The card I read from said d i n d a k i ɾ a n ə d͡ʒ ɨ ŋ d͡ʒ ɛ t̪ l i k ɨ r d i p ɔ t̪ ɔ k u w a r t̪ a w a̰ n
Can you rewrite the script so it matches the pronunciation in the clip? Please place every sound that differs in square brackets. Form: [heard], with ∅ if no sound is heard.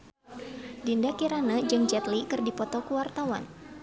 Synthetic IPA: d i n d a k i ɾ a n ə d͡ʒ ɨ ŋ d͡ʒ ɛ t̪ l i k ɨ r d i p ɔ t̪ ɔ k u w a r t̪ a w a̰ n

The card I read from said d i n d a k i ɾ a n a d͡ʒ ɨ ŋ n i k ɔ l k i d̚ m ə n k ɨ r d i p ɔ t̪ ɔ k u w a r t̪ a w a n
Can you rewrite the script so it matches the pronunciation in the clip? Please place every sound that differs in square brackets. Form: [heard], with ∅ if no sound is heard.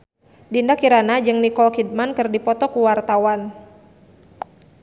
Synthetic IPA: d i n d a k i ɾ a n a d͡ʒ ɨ ŋ n i k ɔ l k i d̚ m [a] n k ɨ r d i p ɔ t̪ ɔ k u w a r t̪ a w a n

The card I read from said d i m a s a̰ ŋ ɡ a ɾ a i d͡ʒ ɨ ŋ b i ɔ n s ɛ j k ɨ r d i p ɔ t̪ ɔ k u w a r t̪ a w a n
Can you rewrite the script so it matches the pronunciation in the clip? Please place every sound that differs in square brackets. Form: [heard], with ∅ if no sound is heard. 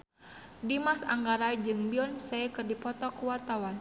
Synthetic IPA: d i m a s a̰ ŋ ɡ a ɾ a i d͡ʒ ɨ ŋ b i ɔ n s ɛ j k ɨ r d i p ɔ t̪ ɔ k u w a r t̪ a w a n

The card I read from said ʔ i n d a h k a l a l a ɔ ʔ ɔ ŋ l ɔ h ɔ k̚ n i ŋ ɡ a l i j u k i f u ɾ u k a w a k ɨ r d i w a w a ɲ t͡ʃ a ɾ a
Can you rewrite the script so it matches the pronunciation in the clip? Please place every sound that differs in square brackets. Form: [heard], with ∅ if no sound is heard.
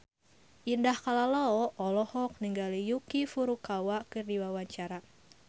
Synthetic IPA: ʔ i n d a h k a l a l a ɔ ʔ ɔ [∅] l ɔ h ɔ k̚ n i ŋ ɡ a l i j u k i f u ɾ u k a w a k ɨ r d i w a w a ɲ t͡ʃ a ɾ a

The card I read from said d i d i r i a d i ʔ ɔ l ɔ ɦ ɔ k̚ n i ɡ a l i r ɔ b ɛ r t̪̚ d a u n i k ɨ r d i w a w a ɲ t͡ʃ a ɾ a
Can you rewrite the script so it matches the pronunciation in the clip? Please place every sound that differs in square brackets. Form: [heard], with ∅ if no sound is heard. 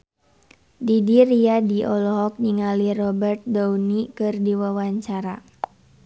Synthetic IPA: d i d i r i a d i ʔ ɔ l ɔ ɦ ɔ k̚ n i [ŋ] a l i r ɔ b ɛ r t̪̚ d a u n i k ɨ r d i w a w a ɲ t͡ʃ a ɾ a

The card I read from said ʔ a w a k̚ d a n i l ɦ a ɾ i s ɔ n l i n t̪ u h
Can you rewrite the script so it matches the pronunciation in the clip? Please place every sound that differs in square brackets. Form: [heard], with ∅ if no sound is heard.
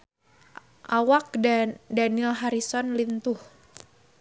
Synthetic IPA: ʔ a w a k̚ d a n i l ɦ a ɾ i s ɔ n l i n t̪ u h

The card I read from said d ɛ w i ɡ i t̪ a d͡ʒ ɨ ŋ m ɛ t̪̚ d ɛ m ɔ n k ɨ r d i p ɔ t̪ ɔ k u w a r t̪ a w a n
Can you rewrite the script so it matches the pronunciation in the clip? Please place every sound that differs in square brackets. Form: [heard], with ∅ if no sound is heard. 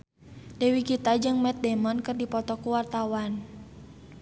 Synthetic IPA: d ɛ w i [k] i t̪ a d͡ʒ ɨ ŋ m ɛ t̪̚ d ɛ m ɔ n k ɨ r d i p ɔ t̪ ɔ k u w a r t̪ a w a n

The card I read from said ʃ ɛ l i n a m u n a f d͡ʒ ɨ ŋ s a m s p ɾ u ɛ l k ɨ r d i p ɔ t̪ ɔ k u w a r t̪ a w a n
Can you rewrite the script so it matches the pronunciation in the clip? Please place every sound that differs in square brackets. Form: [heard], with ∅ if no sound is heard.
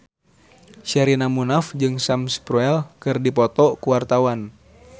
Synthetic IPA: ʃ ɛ [ɾ] i n a m u n a f d͡ʒ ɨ ŋ s a m s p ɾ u ɛ l k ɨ r d i p ɔ t̪ ɔ k u w a r t̪ a w a n

